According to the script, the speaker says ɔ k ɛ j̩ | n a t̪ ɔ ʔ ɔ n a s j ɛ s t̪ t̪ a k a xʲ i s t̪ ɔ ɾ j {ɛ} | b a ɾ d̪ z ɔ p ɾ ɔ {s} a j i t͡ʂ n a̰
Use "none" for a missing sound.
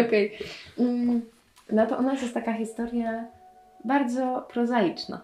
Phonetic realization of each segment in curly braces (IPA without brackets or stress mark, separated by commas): a, z